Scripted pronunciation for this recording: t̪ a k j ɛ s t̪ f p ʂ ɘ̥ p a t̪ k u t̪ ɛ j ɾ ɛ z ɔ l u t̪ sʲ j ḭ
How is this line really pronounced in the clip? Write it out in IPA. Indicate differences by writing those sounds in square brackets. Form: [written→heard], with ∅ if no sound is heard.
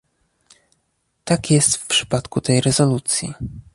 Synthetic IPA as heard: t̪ a k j ɛ s t̪ f p ʂ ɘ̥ p a t̪ k u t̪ ɛ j ɾ ɛ z ɔ l u t̪ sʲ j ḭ